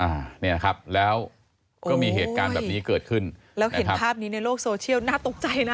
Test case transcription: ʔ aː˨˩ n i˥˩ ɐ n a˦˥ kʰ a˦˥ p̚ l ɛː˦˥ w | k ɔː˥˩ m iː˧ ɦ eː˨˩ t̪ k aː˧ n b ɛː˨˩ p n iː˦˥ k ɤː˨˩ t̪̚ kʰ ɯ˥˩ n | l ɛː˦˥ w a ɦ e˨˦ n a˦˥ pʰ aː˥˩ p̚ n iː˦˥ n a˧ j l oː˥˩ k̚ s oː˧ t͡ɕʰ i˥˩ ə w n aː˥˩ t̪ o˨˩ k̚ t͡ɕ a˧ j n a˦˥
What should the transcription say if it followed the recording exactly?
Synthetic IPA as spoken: ʔ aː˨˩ n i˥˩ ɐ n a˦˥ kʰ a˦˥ p̚ l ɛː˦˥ w | k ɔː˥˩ m iː˧ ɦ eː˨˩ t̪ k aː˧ n b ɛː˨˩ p n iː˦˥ k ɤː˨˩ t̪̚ kʰ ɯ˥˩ n | l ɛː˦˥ w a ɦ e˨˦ n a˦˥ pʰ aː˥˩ p̚ n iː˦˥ n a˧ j l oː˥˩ k̚ s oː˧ t͡ɕʰ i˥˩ ə w n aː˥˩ t̪ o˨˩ k̚ t͡ɕ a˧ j n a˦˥